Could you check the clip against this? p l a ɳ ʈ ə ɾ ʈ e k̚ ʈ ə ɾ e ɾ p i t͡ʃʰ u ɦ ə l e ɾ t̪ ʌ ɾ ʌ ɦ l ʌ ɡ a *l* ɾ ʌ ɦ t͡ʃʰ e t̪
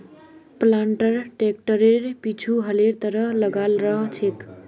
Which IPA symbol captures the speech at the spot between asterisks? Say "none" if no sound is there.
l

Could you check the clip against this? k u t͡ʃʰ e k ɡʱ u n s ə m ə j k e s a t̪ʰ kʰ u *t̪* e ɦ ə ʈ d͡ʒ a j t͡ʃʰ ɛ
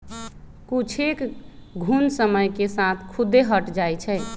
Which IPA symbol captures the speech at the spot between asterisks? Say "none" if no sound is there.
d̪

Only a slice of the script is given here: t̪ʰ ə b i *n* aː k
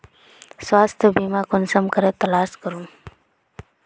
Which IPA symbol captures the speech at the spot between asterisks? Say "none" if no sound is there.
m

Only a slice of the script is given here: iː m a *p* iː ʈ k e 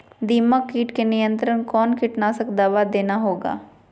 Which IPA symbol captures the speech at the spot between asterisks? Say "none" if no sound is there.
k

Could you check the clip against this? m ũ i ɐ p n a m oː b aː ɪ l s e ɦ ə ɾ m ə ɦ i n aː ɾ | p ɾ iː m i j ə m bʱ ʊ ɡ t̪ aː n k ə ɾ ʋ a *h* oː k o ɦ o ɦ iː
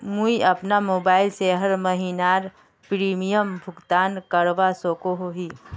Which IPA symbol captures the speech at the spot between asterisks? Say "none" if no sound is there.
s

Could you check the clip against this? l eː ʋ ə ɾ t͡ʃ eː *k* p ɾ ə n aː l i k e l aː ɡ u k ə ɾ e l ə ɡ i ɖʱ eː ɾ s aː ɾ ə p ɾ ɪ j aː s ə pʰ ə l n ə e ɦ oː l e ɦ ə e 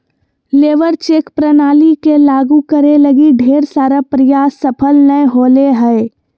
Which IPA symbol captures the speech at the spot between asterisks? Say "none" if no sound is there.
k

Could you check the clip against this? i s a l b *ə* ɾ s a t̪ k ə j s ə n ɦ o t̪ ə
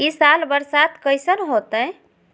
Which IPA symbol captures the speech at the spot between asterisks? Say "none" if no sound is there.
ə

